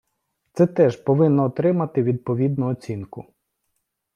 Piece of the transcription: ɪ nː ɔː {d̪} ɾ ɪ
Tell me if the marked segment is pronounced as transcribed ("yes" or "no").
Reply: no